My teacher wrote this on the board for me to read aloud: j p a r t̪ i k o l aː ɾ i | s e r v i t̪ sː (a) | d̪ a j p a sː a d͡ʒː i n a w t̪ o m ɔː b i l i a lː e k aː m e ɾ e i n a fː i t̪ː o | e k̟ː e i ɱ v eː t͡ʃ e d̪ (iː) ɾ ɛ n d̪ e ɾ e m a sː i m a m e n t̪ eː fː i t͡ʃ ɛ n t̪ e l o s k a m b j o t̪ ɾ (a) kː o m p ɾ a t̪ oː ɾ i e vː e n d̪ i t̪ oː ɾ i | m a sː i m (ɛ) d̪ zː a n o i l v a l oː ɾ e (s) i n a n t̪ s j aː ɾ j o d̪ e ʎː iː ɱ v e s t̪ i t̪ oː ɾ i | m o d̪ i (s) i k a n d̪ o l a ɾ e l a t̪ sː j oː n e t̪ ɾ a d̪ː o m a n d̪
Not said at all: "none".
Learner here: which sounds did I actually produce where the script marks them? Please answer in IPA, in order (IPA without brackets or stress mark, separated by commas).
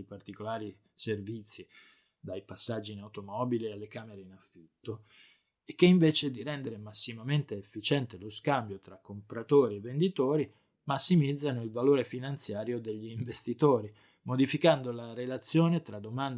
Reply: i, i, a, i, f, f